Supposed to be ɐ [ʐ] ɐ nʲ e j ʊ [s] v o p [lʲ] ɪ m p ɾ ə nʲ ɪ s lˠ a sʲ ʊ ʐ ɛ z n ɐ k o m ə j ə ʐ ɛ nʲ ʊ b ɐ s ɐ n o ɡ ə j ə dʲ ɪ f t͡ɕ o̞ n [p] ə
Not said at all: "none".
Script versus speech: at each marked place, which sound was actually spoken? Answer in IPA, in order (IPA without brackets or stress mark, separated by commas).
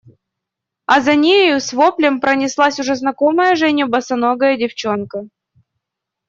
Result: z, s, lʲ, k